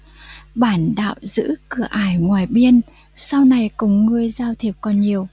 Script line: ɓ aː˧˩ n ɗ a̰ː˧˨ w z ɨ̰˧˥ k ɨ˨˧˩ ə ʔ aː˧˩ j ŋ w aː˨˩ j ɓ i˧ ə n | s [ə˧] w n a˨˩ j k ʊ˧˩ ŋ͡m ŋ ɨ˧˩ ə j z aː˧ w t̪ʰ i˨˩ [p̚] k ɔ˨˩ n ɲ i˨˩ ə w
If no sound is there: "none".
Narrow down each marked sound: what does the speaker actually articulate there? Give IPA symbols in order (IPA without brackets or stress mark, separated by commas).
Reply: a˧, p̚